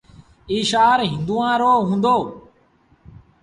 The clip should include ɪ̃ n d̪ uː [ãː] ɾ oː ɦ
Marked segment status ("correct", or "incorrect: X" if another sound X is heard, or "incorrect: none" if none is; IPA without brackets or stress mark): correct